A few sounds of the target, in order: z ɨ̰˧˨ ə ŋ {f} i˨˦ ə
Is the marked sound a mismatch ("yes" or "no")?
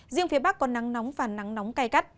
no